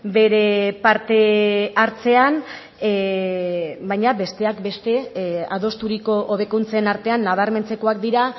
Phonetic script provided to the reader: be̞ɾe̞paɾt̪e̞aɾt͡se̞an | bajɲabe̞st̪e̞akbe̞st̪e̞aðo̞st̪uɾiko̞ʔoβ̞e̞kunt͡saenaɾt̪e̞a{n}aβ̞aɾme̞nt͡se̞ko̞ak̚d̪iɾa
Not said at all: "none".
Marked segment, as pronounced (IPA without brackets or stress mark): nː